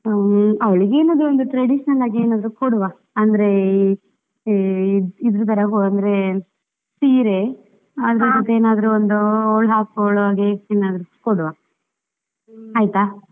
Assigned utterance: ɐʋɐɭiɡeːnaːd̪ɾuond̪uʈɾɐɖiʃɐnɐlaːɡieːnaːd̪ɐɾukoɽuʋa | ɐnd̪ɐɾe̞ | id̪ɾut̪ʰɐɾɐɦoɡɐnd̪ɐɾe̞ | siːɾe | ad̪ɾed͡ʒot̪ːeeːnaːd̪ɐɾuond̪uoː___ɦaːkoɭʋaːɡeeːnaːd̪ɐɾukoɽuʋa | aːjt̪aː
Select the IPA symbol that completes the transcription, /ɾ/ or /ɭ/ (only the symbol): ɭ